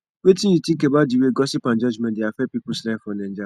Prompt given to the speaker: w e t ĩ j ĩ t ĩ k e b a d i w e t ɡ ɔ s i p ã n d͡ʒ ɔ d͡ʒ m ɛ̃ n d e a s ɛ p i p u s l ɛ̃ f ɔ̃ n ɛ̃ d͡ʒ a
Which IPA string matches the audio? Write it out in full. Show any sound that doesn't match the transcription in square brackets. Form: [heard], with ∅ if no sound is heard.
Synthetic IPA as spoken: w e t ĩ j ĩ t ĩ k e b a d i w e [∅] ɡ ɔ s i p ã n d͡ʒ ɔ d͡ʒ m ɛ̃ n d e a [f] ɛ p i p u s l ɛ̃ f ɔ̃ n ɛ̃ d͡ʒ a